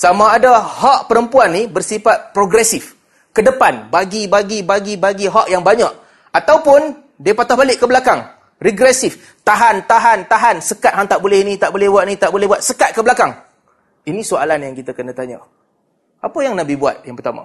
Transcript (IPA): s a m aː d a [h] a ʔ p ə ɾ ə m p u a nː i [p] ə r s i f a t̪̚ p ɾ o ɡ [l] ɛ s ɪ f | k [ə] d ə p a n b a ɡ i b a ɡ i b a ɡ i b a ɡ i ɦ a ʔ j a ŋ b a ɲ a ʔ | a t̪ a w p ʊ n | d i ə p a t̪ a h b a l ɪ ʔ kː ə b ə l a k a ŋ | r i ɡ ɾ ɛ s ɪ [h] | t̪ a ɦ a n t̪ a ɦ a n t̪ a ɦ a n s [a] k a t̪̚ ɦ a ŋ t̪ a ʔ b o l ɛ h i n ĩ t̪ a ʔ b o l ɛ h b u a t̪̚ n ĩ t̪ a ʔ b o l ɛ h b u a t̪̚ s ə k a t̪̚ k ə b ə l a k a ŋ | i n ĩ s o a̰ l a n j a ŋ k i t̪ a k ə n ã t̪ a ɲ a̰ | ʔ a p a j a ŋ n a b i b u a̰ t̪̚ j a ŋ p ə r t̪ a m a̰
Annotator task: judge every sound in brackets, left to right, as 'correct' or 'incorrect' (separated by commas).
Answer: correct, incorrect, incorrect, correct, incorrect, incorrect